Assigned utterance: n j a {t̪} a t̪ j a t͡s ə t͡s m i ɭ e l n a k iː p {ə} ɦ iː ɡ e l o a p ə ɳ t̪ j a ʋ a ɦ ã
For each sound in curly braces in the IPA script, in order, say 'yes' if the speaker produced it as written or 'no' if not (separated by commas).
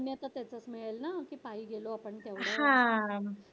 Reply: yes, no